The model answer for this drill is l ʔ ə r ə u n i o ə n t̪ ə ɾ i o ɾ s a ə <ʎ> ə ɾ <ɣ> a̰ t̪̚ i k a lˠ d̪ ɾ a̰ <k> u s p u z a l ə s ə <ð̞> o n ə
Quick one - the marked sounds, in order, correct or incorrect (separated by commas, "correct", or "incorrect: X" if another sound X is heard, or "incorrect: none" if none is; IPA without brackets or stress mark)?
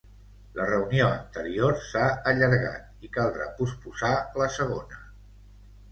correct, correct, incorrect: p, incorrect: ɣ̞